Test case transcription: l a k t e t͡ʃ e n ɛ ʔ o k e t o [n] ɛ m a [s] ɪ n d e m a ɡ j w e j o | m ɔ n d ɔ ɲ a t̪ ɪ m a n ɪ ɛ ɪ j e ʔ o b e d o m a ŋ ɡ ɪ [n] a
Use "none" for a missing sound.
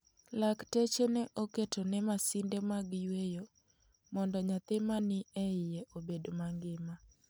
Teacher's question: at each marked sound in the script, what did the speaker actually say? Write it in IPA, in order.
n, s, m

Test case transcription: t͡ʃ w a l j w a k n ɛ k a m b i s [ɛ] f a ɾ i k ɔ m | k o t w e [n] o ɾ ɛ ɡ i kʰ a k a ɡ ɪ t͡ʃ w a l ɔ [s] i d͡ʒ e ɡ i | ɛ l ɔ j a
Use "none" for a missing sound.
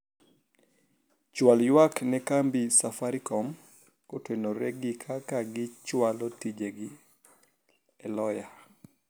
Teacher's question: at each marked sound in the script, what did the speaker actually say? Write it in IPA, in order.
a, n, t

